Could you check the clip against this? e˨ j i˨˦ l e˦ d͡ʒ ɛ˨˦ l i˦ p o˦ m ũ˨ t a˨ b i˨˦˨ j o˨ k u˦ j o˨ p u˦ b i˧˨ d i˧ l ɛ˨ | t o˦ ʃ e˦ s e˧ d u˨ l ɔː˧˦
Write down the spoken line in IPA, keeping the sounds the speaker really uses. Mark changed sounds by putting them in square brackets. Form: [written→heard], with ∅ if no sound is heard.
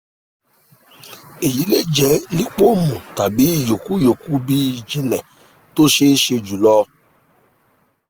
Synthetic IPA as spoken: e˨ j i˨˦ l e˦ d͡ʒ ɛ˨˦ l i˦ [p→k͡p] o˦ m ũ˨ t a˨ b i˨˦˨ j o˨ k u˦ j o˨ [p→k] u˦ b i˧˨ [d→d͡ʒ] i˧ l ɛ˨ | t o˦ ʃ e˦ [s→ʃ] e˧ [d→d͡ʒ] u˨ l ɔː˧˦